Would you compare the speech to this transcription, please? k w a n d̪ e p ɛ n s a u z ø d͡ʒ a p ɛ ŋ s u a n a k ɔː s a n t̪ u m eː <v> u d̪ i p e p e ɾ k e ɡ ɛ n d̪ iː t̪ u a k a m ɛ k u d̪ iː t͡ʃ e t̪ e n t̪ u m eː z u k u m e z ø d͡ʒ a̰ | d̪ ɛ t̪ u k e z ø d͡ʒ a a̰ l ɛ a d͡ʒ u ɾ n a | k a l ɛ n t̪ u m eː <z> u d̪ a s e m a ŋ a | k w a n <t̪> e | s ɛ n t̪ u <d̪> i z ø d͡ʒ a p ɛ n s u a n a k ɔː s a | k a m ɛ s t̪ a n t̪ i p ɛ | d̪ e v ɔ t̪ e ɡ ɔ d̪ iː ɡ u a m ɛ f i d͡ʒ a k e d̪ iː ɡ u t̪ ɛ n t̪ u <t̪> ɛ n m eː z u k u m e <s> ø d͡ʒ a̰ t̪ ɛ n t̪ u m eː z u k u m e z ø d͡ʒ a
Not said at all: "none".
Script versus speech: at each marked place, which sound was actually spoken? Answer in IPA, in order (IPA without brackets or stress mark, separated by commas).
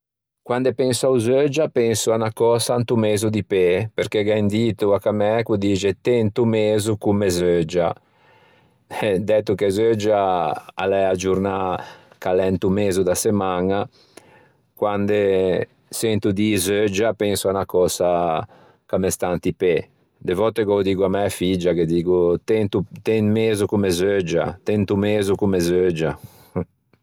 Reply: z, z, d̪, d̪, t̪, z